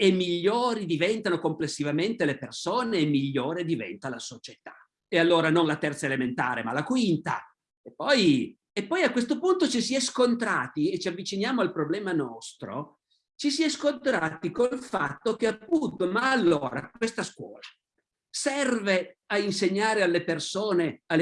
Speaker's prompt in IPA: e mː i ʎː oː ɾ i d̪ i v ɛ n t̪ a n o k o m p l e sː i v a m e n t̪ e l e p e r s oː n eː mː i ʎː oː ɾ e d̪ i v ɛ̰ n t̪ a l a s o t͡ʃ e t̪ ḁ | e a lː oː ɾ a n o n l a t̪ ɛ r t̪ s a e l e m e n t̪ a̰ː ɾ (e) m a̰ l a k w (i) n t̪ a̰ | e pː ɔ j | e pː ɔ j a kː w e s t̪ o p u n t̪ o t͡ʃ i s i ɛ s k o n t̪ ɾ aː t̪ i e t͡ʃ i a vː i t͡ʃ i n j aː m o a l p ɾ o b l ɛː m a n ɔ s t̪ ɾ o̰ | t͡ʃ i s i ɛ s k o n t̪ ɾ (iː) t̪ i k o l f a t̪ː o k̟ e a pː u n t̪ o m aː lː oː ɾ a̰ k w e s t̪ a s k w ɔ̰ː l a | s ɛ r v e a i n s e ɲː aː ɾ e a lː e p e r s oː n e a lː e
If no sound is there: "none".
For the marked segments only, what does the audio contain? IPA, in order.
e, i, aː

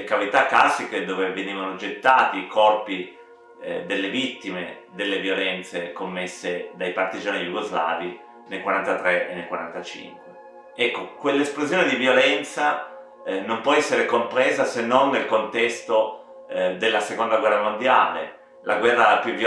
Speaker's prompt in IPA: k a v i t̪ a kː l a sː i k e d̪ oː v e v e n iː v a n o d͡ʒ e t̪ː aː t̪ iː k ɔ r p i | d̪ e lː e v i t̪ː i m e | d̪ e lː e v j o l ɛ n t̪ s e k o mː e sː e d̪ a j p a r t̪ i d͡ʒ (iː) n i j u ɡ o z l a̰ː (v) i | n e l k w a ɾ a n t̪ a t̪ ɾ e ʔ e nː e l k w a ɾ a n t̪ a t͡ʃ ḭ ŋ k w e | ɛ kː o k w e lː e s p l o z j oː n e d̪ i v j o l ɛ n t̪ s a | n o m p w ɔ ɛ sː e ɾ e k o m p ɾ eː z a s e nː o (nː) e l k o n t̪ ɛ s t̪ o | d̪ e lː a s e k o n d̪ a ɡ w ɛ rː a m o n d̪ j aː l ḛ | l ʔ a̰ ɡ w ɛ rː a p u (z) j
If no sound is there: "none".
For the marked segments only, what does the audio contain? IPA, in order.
aː, v, nː, v

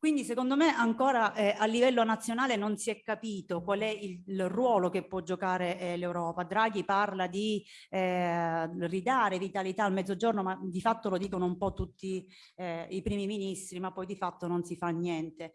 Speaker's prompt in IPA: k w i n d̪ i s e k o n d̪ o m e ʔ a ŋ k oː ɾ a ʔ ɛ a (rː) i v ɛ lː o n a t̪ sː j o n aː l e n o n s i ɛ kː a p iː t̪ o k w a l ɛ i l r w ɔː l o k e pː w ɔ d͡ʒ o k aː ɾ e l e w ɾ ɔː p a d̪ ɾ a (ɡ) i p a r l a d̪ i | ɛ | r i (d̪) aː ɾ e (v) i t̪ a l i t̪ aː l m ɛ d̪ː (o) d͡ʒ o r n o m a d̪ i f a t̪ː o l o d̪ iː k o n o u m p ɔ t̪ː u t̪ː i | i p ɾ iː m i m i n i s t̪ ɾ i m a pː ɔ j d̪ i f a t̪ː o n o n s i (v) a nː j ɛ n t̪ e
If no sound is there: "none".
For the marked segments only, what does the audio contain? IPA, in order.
lː, ɡ, d̪, v, o, f

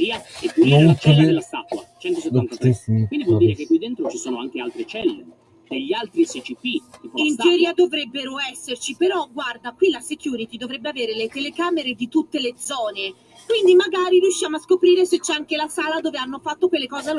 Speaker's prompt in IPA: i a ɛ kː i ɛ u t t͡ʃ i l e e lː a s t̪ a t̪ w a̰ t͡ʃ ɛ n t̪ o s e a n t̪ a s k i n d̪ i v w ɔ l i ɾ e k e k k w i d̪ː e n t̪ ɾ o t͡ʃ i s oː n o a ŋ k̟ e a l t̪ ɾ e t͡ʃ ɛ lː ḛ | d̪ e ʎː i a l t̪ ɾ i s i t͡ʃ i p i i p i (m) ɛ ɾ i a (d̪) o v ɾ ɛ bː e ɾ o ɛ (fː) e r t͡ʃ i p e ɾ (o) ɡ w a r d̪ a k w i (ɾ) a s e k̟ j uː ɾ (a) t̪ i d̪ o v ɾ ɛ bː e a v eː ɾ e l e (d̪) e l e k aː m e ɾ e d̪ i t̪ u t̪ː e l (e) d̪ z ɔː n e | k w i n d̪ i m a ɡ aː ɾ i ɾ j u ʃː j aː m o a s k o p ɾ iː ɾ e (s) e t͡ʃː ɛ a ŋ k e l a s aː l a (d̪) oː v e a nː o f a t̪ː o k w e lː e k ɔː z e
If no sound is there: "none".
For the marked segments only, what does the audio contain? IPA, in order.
n, d̪, sː, ɔ, l, i, t̪, e, s, d̪

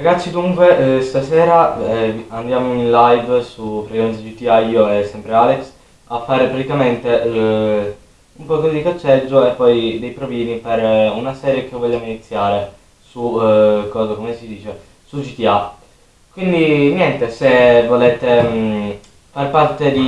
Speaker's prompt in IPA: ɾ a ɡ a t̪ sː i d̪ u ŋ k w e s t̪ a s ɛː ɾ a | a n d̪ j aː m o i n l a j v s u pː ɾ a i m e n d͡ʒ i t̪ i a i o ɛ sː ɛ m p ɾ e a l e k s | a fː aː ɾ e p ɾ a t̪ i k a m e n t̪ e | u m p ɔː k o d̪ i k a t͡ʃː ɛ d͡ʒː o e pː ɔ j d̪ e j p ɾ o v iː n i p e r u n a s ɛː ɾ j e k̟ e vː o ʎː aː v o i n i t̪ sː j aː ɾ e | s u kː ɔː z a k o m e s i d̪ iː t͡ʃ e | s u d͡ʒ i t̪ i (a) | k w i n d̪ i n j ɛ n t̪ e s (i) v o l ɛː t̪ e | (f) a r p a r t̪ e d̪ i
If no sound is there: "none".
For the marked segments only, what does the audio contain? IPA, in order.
a, e, f

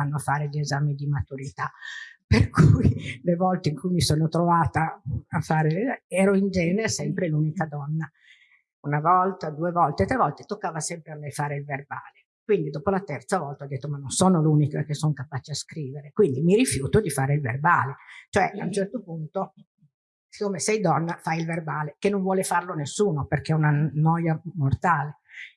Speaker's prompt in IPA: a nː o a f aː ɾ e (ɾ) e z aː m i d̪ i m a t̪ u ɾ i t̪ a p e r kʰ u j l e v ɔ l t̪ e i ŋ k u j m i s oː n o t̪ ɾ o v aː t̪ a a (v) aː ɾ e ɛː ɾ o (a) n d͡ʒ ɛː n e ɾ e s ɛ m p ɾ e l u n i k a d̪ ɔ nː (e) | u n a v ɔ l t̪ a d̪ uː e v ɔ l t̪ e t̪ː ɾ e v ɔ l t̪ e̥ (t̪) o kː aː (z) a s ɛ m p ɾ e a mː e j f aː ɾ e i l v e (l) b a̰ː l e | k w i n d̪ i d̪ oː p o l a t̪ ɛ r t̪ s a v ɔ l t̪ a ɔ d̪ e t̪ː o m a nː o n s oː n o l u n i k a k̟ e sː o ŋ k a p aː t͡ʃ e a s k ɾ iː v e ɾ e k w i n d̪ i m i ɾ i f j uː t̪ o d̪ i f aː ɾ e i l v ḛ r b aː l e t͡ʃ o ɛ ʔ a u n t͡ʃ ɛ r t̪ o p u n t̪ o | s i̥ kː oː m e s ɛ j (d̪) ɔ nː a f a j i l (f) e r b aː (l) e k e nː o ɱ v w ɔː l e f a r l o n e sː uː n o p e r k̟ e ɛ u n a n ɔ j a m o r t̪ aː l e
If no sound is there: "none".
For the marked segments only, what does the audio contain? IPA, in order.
ʎ, f, i, a, t̪, v, r, d̪, v, l

